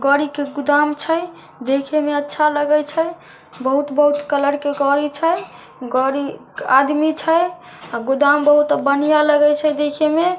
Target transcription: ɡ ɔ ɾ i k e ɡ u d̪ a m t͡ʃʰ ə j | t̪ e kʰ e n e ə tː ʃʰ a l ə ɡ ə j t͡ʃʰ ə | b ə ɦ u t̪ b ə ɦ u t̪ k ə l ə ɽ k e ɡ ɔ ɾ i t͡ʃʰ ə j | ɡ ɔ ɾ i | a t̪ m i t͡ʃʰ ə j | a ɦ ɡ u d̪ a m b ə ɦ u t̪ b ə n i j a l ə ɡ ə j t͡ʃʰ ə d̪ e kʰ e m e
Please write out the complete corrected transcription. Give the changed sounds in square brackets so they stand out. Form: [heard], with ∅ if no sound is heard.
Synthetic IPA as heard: ɡ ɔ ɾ i k e ɡ u d̪ a m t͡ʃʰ ə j | [d̪] e kʰ e [m] e ə tː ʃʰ a l ə ɡ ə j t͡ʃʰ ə | b ə ɦ u t̪ b ə ɦ u t̪ k ə l ə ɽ k e ɡ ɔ ɾ i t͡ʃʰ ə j | ɡ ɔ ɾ i | a [d̪] m i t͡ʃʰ ə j | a [∅] ɡ u d̪ a m b ə ɦ u t̪ b ə n i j a l ə ɡ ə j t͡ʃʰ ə d̪ e kʰ e m e